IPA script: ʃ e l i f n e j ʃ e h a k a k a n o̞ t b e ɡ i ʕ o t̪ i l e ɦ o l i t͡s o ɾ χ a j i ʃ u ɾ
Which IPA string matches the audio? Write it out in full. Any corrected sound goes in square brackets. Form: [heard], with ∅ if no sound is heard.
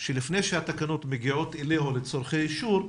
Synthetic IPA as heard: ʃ e l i f n e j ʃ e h a [t] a k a n o̞ t [m] e ɡ i ʕ o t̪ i l e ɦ o l [e] t͡s o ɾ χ [e] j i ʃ u ɾ